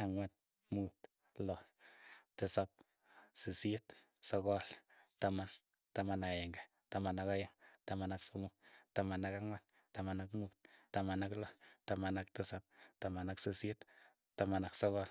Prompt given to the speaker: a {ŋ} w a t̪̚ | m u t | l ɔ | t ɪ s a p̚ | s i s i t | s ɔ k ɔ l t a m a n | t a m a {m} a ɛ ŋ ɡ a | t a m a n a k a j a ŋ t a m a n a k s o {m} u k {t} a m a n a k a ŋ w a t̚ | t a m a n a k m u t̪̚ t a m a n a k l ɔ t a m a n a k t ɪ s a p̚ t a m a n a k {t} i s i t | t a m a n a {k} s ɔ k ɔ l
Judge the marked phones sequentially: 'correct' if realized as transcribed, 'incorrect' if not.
correct, incorrect: n, correct, correct, incorrect: s, correct

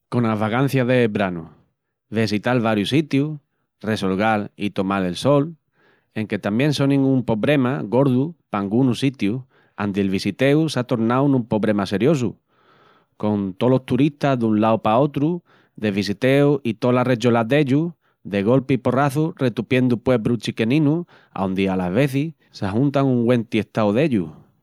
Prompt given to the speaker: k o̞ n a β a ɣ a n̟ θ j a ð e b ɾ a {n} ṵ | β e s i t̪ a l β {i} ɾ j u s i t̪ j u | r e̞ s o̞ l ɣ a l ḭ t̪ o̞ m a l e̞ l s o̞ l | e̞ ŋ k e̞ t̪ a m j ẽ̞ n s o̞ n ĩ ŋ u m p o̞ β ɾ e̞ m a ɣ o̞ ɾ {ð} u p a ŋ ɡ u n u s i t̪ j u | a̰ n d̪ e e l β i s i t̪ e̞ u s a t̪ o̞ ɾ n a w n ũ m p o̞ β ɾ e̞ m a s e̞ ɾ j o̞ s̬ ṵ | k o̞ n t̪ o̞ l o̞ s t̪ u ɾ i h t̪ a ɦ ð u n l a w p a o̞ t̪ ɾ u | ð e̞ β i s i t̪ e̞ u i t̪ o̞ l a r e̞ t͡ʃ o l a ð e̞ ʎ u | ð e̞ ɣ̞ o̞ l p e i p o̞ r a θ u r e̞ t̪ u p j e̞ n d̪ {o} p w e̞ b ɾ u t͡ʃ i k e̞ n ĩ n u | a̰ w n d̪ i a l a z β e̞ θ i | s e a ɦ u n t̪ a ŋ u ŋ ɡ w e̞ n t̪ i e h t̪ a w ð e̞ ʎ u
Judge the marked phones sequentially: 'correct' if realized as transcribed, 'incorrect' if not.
correct, incorrect: a, correct, incorrect: u

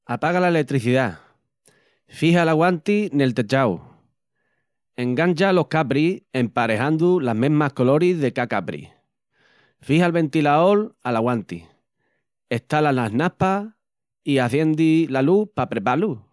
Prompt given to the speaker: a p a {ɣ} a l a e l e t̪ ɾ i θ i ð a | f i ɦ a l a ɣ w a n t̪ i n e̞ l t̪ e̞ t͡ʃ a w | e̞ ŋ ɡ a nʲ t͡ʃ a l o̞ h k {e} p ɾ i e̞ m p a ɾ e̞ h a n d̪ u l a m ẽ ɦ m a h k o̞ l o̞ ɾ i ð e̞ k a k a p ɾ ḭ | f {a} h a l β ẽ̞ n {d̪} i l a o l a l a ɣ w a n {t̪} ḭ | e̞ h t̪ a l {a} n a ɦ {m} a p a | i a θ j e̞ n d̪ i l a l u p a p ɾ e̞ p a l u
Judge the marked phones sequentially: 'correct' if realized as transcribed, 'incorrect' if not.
correct, incorrect: a, incorrect: i, incorrect: t̪, correct, correct, incorrect: n

